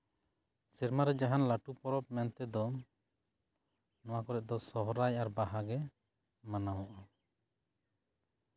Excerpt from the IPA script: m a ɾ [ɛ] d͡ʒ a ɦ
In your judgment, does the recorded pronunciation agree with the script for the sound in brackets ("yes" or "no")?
yes